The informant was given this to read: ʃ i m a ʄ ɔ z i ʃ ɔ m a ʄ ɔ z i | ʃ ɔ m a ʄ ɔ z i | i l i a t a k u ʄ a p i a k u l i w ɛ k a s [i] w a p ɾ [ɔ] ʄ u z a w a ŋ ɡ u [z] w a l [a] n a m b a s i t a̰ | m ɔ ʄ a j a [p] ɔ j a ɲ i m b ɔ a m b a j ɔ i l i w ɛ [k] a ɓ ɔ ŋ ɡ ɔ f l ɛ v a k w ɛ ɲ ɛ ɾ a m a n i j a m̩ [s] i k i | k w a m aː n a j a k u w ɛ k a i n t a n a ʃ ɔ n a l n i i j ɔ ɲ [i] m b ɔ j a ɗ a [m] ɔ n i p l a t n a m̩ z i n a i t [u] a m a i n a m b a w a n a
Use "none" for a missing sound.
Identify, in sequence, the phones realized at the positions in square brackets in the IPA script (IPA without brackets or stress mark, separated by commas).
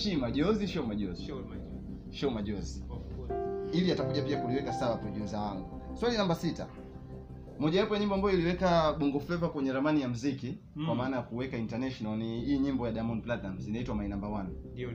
a, ɔ, s, i, p, k, z, i, m, w